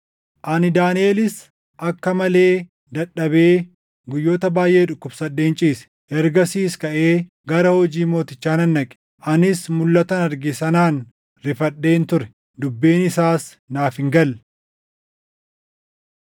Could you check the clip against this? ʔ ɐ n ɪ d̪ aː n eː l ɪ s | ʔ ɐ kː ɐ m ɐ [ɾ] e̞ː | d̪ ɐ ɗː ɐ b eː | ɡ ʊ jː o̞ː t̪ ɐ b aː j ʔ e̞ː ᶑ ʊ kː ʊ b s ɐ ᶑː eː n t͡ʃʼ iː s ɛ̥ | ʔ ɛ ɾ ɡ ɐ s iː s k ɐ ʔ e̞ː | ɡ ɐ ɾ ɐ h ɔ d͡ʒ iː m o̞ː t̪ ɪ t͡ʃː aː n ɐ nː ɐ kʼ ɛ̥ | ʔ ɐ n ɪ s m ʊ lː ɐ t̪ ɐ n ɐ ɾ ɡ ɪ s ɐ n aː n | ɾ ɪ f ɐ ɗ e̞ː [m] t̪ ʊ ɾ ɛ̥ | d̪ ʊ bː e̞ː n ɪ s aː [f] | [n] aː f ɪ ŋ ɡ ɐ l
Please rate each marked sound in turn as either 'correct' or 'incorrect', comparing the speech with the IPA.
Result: incorrect, incorrect, incorrect, correct

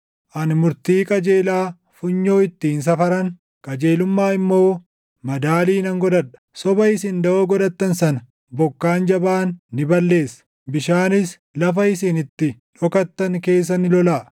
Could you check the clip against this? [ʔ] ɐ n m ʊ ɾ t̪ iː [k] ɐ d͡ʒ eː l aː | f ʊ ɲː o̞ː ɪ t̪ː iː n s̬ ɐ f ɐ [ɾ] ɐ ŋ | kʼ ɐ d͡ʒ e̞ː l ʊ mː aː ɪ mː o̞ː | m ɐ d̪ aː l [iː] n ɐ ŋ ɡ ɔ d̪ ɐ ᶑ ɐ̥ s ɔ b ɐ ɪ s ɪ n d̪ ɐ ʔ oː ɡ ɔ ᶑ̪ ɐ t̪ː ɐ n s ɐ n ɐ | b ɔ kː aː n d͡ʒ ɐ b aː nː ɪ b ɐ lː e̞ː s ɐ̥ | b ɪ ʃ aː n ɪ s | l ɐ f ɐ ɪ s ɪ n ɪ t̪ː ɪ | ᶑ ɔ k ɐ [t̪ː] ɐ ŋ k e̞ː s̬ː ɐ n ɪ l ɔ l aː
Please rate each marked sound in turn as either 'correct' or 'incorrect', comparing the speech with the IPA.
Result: correct, incorrect, correct, correct, correct

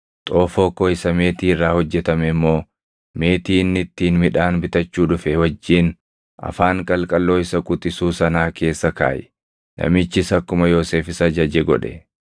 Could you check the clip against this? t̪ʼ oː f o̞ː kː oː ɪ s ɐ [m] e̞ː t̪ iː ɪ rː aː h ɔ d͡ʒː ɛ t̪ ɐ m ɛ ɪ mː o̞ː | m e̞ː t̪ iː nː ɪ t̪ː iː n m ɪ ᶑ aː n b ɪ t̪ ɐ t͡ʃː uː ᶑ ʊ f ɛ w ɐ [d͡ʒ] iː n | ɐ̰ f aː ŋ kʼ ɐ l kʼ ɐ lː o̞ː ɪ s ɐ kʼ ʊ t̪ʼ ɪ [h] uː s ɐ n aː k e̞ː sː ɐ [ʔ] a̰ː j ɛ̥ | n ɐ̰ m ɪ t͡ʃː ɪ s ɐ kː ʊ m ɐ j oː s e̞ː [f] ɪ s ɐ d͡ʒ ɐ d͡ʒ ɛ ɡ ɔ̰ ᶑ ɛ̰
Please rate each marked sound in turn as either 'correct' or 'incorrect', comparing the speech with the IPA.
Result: correct, incorrect, incorrect, incorrect, correct

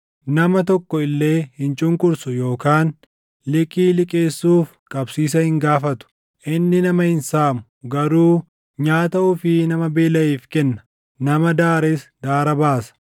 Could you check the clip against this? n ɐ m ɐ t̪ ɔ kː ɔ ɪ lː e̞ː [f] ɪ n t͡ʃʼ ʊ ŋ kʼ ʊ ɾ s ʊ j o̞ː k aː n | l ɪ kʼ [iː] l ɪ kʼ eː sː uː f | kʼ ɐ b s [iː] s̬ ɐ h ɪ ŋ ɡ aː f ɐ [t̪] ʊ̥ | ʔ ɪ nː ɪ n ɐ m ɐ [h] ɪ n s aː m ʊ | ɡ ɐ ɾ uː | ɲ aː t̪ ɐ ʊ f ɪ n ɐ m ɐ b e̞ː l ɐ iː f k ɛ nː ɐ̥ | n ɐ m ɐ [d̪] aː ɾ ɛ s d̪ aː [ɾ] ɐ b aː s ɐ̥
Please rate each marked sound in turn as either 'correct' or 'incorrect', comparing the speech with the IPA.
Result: incorrect, correct, correct, correct, correct, correct, correct

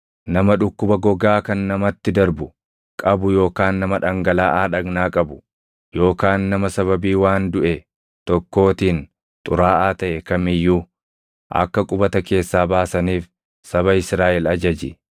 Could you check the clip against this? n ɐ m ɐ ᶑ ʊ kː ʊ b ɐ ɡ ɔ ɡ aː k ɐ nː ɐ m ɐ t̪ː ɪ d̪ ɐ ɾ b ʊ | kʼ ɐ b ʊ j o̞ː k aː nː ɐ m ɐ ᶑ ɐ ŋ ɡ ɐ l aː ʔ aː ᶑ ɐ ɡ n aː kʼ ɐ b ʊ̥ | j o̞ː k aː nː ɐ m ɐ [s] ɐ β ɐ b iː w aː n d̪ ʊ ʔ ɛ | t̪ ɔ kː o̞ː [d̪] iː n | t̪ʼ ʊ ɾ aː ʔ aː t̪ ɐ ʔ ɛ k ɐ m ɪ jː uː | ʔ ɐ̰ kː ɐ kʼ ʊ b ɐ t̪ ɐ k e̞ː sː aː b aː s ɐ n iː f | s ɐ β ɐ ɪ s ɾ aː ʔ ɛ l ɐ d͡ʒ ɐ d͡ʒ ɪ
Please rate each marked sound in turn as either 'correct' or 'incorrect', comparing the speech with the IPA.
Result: correct, incorrect

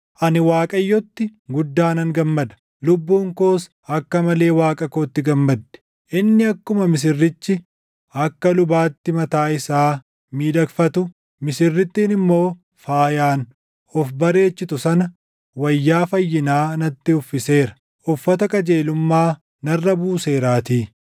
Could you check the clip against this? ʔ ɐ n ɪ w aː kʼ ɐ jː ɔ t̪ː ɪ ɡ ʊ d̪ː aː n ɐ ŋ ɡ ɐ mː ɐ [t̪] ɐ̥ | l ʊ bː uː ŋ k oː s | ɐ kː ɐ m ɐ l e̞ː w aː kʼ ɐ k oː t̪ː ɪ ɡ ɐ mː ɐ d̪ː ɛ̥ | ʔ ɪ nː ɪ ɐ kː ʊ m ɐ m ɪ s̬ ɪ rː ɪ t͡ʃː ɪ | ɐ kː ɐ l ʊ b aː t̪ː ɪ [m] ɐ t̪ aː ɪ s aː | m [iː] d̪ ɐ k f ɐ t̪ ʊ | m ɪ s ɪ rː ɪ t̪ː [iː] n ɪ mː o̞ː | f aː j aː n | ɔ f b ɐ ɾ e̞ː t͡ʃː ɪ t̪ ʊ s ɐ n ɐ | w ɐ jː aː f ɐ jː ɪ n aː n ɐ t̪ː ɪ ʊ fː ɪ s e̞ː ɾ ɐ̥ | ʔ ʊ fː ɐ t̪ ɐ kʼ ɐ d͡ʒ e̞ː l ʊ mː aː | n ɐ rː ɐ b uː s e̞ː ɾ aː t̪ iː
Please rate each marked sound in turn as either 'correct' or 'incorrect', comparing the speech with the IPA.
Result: incorrect, correct, correct, correct

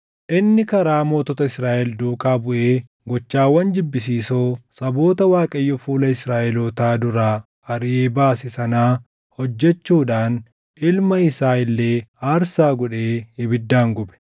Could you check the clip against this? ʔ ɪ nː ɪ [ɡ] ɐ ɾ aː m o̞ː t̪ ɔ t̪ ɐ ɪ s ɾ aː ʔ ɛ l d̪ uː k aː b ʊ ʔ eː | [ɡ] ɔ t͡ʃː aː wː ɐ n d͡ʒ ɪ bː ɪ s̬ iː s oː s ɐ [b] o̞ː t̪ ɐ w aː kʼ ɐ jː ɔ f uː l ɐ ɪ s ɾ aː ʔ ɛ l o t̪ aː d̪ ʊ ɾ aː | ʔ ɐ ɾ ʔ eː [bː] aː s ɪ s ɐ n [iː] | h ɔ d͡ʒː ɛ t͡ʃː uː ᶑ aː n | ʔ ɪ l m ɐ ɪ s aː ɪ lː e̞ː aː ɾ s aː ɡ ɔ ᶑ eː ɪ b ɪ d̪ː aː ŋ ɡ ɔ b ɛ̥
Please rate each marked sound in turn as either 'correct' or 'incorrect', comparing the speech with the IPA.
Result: incorrect, correct, correct, incorrect, incorrect

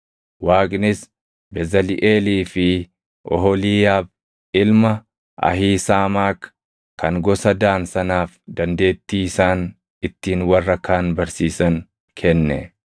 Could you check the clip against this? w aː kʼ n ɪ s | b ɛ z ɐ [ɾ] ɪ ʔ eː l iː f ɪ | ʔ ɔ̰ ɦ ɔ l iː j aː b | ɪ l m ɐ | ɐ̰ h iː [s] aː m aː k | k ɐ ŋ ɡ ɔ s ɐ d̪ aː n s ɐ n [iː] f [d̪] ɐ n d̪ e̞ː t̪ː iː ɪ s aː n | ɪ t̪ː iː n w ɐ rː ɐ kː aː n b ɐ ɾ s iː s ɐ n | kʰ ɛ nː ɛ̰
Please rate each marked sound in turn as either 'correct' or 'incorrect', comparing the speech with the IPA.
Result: incorrect, correct, incorrect, correct

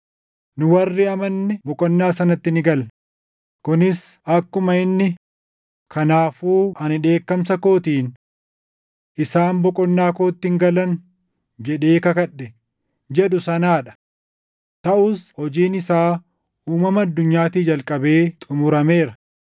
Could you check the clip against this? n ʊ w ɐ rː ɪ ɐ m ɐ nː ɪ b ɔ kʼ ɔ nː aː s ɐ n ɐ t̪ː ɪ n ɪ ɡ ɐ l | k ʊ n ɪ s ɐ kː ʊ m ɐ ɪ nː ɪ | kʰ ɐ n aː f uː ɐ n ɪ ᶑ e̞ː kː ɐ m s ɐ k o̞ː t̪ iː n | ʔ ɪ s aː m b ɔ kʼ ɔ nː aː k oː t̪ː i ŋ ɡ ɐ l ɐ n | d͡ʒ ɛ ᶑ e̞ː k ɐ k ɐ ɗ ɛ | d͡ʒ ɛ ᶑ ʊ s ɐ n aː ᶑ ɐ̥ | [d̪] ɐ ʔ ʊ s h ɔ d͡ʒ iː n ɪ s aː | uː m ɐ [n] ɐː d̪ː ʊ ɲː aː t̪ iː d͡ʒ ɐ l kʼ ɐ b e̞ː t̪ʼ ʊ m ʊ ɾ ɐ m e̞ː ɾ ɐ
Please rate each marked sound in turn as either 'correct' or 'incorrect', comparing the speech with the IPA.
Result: incorrect, incorrect

